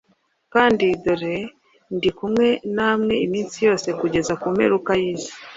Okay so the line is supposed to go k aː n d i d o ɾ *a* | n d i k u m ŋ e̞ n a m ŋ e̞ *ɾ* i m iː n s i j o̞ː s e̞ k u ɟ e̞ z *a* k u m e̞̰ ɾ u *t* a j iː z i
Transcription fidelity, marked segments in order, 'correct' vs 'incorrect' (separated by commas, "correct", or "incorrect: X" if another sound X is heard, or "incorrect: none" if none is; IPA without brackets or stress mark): incorrect: e, incorrect: none, correct, incorrect: k